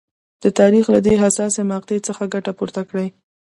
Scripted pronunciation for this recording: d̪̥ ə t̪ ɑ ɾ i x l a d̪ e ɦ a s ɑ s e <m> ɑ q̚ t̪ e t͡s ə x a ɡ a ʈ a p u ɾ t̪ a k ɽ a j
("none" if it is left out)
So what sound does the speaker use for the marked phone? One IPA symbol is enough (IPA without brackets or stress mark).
m